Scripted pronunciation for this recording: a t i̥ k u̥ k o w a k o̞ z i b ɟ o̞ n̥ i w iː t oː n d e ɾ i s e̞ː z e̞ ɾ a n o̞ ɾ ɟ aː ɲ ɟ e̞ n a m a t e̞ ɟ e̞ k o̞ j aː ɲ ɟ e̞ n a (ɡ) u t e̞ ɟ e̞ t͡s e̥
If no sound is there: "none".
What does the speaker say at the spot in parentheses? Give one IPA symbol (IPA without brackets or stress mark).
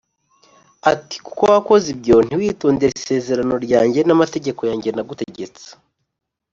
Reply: ɡ